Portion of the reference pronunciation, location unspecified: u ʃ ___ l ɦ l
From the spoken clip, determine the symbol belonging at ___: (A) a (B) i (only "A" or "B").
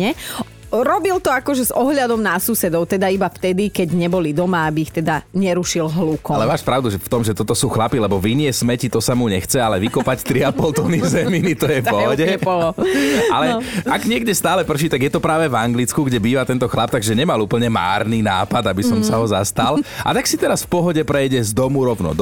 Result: B